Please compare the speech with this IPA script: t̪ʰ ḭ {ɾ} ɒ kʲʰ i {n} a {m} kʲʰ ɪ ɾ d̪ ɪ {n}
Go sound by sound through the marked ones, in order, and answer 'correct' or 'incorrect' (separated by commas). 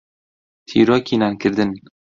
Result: correct, correct, incorrect, correct